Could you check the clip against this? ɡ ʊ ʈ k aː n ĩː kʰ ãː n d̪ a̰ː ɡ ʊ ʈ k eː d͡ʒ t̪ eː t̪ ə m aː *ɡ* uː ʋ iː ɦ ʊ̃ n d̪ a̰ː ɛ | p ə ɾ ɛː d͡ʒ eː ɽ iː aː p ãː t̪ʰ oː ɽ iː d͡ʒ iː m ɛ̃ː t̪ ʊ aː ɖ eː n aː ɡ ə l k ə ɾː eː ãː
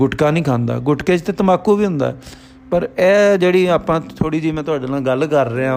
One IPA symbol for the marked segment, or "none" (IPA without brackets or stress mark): k